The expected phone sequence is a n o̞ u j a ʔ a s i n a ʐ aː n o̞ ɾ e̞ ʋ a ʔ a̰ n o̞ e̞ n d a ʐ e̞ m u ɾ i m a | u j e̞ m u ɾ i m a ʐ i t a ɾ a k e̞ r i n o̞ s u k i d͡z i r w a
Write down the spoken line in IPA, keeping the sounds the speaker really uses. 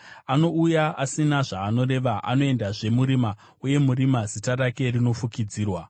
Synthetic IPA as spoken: a n o̞ u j a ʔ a s i n a ʐ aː n o̞ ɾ e̞ ʋ a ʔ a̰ n o̞ e̞ n d a ʐ e̞ m u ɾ i m a | u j e̞ m u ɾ i m a z i t a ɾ a k e̞ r i n o̞ f u k i d͡z iː r w a